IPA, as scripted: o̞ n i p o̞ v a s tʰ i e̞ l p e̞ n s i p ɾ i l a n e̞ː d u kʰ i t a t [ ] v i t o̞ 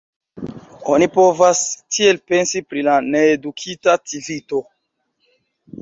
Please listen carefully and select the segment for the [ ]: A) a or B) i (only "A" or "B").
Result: B